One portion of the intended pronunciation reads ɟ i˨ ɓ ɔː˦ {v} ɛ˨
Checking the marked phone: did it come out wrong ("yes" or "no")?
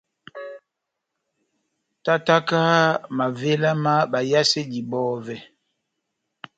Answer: no